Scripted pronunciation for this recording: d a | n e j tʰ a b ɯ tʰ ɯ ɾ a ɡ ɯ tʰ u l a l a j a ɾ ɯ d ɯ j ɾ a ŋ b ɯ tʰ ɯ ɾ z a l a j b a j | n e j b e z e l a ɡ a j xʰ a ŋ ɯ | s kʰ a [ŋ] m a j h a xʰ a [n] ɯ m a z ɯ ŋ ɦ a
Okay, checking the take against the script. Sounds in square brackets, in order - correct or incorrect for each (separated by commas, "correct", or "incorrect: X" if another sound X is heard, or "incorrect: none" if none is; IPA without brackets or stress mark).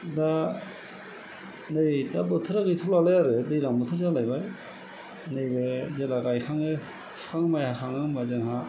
correct, incorrect: ŋ